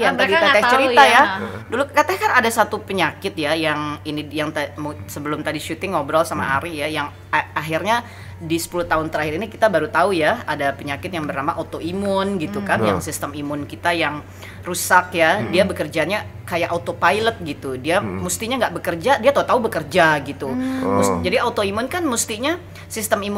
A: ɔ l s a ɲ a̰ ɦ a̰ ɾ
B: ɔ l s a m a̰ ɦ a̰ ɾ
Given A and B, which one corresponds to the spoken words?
B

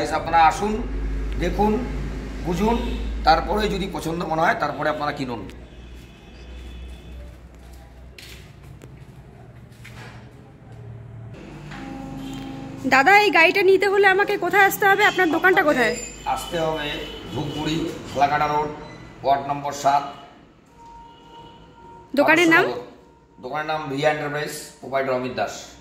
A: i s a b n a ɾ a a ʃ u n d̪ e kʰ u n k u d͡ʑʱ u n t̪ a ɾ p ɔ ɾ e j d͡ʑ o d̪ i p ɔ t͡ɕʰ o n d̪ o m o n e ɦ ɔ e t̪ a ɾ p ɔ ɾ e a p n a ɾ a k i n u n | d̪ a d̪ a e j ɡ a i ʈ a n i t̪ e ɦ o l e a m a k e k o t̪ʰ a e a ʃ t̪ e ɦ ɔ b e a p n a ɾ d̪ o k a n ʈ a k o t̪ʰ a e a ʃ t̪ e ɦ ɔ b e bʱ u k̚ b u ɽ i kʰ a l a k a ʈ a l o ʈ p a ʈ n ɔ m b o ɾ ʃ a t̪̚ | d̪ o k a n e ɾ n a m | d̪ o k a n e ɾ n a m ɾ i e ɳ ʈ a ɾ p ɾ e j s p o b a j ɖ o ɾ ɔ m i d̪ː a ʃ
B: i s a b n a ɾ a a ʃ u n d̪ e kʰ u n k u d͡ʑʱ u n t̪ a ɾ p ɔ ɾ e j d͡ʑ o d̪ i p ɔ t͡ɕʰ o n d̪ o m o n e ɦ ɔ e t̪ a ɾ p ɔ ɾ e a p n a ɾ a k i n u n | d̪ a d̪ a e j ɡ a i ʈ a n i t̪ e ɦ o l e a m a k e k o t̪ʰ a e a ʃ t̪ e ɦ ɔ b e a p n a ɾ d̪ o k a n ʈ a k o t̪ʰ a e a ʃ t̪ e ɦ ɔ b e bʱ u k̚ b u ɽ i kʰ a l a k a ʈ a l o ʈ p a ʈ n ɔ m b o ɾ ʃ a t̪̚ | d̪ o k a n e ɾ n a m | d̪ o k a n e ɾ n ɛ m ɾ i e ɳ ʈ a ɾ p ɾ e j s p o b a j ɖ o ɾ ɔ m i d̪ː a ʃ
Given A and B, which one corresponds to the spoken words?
A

